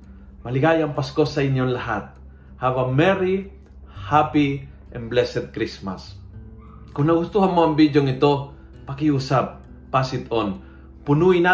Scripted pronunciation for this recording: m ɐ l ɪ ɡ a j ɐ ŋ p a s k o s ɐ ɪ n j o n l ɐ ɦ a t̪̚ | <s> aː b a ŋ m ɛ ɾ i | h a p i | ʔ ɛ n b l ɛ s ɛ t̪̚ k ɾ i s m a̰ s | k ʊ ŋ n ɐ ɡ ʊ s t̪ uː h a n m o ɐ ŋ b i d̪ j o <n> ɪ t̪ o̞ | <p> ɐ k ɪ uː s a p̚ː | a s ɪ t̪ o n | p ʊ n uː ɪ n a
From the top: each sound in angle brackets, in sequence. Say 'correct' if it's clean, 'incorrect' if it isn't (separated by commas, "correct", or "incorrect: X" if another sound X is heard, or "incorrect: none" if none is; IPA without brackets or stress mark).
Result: incorrect: h, incorrect: ŋ, correct